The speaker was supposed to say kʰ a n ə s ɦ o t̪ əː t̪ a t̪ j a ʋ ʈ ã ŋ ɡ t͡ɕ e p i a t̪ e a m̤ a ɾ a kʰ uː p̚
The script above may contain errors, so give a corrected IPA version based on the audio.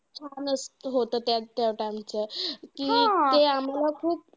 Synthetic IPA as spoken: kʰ a n ə s ɦ o t̪ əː t̪ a t̪ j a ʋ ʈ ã ŋ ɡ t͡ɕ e k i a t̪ e a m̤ a l a kʰ uː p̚